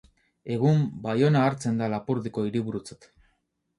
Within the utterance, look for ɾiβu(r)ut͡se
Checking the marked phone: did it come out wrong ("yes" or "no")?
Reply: yes